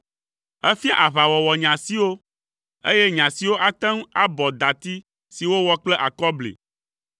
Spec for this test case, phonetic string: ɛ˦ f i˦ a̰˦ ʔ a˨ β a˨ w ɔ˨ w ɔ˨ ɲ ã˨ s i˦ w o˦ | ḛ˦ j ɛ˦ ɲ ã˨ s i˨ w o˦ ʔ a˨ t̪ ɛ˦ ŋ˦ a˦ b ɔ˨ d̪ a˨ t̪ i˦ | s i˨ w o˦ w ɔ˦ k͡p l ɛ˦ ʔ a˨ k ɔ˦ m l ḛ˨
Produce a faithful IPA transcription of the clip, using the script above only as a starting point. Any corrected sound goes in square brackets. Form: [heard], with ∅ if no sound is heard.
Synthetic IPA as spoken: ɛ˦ f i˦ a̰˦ ʔ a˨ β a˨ w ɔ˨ w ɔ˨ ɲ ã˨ s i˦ w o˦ | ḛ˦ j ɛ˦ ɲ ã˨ s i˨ w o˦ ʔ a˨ t̪ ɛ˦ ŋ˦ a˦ b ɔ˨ d̪ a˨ t̪ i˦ | s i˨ w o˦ w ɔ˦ k͡p l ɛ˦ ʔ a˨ k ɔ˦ [b] l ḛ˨

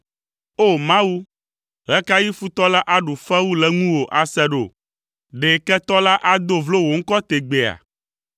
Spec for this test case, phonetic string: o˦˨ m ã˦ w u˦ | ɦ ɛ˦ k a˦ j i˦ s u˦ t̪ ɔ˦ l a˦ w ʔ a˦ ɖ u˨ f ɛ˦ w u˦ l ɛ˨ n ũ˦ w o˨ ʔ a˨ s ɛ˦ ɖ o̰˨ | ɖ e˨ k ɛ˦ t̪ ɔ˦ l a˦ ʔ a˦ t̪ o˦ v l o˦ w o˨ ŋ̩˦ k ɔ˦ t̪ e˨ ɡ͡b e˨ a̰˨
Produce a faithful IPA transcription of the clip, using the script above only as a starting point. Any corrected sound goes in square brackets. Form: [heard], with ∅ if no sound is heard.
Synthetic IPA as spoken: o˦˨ m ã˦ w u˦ | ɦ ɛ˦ k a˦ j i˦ [f] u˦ t̪ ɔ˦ l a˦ [∅] ʔ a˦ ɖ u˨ f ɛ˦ w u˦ l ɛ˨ [ŋ] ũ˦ w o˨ ʔ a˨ s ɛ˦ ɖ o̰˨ | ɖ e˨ k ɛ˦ t̪ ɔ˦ l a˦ ʔ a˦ [d̪] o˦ v l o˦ w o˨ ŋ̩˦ k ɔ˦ t̪ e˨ ɡ͡b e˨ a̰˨

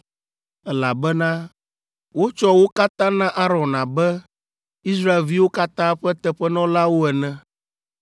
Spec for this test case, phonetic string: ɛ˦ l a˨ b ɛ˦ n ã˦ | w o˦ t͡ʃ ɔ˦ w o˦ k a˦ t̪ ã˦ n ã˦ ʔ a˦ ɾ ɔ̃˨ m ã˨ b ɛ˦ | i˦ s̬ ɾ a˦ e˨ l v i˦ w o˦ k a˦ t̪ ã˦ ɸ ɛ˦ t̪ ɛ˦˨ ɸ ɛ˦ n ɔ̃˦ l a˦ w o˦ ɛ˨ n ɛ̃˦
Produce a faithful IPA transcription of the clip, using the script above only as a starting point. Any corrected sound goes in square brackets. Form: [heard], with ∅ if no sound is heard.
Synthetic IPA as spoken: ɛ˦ l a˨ b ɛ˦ n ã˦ | w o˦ t͡ʃ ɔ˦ w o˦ k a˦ t̪ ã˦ n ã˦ ʔ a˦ ɾ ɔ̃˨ [n] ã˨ b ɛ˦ | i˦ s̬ ɾ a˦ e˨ l v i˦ w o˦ k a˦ t̪ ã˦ ɸ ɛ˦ t̪ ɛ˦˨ ɸ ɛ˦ n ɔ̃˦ l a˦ w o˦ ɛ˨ n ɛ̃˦

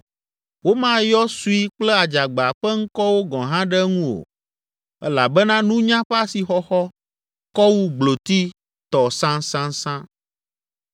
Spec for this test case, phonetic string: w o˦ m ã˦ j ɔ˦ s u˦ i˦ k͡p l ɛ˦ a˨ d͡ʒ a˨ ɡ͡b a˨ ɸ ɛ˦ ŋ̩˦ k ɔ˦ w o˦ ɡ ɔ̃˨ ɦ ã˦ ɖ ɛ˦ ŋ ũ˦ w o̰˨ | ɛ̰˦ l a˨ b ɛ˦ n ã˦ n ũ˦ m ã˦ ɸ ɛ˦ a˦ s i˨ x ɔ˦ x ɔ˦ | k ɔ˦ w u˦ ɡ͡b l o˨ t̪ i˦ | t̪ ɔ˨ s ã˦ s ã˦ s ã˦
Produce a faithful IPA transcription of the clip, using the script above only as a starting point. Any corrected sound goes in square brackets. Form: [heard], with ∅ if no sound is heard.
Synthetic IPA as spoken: w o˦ m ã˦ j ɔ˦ s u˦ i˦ k͡p l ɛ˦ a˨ d͡ʒ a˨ ɡ͡b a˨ ɸ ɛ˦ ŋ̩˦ k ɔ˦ w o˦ ɡ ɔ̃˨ ɦ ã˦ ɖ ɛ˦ ŋ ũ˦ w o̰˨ | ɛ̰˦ l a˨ b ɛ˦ n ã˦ n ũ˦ [ɲ] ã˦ ɸ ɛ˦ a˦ s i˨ x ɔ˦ x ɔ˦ | k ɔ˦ w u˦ ɡ͡b l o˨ t̪ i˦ | t̪ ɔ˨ s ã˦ s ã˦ s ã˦

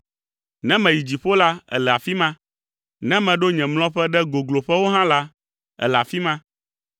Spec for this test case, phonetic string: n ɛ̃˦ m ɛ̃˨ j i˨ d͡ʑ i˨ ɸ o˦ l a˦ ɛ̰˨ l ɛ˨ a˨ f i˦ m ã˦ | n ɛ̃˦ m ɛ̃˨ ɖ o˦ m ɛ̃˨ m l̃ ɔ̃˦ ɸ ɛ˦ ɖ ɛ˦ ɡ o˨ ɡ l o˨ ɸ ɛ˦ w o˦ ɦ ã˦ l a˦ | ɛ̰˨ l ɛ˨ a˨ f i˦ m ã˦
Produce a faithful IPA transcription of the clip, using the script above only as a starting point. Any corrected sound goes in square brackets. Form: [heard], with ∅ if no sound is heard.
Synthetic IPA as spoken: n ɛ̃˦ m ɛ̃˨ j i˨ d͡ʑ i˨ ɸ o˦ l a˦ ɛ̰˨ l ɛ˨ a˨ f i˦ m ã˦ | n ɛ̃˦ m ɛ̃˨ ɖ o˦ [ɲ] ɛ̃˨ m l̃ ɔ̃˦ ɸ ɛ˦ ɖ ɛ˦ ɡ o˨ ɡ l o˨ ɸ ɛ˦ w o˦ ɦ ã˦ l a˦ | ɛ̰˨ l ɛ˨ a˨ f i˦ m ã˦

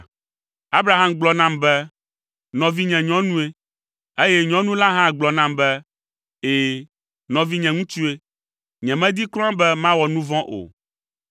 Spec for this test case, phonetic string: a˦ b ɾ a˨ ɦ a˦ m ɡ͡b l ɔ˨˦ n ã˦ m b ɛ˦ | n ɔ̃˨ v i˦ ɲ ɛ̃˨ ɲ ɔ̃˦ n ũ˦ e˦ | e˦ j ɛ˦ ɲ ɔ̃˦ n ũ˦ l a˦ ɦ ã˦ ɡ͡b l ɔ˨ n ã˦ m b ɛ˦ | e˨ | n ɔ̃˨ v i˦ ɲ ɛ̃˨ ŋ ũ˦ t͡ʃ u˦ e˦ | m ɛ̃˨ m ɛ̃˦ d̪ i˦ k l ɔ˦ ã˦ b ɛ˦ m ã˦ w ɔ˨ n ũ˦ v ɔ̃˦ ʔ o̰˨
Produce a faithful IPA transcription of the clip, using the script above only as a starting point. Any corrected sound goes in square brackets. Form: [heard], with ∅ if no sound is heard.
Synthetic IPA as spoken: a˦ b ɾ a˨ ɦ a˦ m ɡ͡b l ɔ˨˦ n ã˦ m b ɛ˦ | n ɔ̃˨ v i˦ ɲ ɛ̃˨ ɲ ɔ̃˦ n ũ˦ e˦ | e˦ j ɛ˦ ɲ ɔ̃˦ n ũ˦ l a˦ ɦ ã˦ ɡ͡b l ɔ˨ n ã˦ m b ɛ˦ | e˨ | n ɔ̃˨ v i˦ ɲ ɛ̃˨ ŋ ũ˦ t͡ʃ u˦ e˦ | [ɲ] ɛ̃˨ m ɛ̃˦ d̪ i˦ k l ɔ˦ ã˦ b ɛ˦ m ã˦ w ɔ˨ n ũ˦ v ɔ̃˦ ʔ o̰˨

